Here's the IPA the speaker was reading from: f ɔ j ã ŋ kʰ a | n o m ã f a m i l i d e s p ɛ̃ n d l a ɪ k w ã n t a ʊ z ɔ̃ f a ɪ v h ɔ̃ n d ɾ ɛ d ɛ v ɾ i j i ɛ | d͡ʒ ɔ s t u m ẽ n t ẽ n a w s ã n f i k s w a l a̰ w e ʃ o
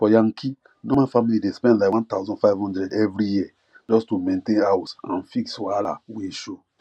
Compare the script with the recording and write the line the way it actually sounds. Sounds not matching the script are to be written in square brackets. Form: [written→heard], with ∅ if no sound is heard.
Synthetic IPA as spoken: f ɔ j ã ŋ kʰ [a→i] | n o m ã f a m i l i d e s p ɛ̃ n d l a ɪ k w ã n t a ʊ z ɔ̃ f a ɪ v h ɔ̃ n d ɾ ɛ d ɛ v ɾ i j i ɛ | d͡ʒ ɔ s t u m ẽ n t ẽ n a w s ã n f i k s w a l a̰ w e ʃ o